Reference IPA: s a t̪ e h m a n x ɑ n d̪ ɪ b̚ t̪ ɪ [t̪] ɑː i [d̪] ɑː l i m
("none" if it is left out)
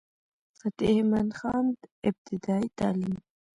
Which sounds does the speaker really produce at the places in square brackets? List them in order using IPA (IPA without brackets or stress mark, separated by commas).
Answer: d̪, t̪